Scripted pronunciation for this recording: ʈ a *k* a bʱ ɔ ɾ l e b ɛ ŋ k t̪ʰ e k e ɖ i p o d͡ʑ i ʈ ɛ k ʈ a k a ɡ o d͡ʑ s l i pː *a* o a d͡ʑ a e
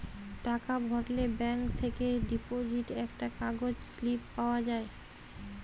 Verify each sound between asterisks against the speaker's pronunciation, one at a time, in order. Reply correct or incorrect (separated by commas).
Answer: correct, correct